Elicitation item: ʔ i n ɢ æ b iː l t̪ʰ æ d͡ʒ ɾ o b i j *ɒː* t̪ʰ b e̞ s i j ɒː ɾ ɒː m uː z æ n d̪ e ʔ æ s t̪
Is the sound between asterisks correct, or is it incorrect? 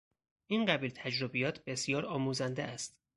correct